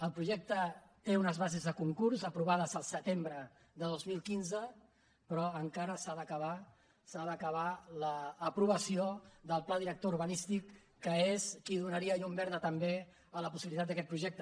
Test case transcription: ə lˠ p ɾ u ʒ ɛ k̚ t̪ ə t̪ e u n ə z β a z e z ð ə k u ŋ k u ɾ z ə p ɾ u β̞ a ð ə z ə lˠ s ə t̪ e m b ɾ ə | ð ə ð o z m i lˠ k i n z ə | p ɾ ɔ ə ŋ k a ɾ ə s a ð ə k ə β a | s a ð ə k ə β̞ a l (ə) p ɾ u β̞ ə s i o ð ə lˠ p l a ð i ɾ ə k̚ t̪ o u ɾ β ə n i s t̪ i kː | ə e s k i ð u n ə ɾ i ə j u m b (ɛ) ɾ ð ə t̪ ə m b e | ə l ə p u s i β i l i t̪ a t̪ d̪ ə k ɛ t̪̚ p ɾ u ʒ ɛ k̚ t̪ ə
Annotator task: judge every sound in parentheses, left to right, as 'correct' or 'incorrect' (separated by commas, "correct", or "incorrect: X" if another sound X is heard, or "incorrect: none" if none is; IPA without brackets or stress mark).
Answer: incorrect: əː, correct